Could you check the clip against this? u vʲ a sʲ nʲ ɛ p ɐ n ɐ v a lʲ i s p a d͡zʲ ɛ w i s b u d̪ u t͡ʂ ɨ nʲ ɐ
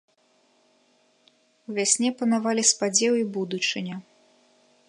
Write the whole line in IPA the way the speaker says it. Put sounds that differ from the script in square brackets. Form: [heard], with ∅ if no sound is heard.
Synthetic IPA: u vʲ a sʲ nʲ ɛ p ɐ n [a] v a lʲ i s p a d͡zʲ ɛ w i [∅] b u d̪ u t͡ʂ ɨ nʲ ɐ